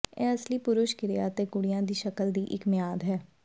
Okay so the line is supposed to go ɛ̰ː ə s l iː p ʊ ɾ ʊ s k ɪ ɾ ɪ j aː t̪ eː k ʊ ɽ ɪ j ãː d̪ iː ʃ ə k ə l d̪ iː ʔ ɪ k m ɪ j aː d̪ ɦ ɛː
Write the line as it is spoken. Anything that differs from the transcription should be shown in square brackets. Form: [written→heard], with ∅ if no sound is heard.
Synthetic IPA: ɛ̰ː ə s l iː p ʊ ɾ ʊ [s→ʃ] k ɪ ɾ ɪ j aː t̪ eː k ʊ ɽ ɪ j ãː d̪ iː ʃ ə k ə l d̪ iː ʔ ɪ k m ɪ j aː d̪ ɦ ɛː